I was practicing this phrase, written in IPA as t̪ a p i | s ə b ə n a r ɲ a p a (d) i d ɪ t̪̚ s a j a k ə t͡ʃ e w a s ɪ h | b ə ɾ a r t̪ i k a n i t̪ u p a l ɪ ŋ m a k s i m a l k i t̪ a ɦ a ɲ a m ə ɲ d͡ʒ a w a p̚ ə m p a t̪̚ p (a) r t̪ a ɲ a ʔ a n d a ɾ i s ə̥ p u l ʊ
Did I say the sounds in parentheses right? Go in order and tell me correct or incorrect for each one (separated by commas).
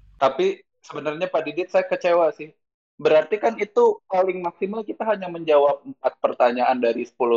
correct, incorrect